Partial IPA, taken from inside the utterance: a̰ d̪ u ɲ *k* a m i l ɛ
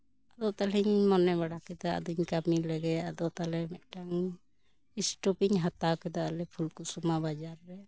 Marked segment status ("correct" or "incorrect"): correct